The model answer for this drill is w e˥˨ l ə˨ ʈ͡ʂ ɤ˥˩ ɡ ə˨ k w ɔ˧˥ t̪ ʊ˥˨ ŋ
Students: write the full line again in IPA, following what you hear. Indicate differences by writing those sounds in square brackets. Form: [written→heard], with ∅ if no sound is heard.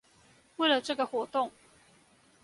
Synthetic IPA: w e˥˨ l ə˨ ʈ͡ʂ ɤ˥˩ ɡ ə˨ [k→x] w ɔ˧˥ t̪ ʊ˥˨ ŋ